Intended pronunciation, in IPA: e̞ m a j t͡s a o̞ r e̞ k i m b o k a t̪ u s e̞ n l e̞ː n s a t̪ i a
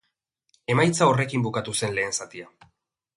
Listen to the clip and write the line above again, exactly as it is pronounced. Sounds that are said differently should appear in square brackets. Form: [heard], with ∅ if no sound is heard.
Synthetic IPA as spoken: e̞ m a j t͡s a o̞ r e̞ k i m b [u] k a t̪ u s e̞ n l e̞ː n s a t̪ i a